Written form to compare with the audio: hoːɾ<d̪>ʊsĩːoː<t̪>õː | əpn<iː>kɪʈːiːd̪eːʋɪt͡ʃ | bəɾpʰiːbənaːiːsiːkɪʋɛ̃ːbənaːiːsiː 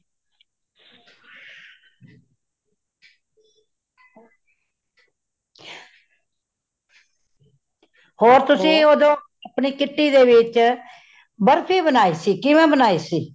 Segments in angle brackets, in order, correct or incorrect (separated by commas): incorrect, incorrect, correct